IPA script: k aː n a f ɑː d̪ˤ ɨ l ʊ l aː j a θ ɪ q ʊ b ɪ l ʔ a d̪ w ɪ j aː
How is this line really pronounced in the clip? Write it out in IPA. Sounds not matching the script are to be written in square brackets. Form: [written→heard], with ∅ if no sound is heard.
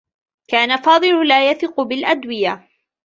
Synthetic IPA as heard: k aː n a f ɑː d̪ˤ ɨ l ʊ l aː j a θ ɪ q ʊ b ɪ l ʔ a d̪ w ɪ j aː